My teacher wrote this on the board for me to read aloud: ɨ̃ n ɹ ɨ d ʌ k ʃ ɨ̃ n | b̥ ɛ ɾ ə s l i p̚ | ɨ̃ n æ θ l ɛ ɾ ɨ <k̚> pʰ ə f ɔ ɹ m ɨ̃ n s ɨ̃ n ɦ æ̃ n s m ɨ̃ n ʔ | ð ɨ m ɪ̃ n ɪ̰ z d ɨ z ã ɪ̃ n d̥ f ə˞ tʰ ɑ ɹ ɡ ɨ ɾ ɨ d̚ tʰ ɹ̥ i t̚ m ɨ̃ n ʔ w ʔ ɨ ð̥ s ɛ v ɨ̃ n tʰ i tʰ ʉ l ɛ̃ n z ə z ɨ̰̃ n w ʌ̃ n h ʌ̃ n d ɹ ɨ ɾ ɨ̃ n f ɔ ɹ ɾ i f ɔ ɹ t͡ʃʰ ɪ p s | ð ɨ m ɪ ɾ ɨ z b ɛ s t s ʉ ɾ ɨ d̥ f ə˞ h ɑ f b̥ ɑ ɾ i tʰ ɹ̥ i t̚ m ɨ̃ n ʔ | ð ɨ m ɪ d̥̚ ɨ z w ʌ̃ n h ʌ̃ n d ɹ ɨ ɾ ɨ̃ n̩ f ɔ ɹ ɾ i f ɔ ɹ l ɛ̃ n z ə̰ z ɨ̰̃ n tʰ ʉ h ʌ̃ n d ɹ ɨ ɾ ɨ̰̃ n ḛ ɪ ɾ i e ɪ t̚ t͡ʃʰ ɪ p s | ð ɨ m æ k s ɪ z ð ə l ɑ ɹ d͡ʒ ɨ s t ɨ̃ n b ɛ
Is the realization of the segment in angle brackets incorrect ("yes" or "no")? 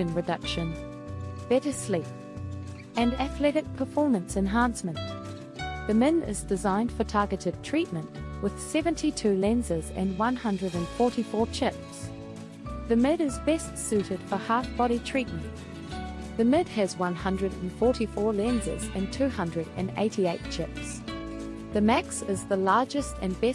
no